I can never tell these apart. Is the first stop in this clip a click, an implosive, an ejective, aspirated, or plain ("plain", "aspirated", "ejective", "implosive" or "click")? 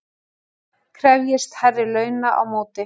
aspirated